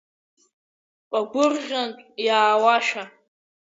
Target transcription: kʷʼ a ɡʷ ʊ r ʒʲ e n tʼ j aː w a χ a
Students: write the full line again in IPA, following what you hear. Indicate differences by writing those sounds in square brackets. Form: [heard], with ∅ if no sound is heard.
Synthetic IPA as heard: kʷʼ a ɡʷ ʊ r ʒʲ [a] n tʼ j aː w a [ʃ] a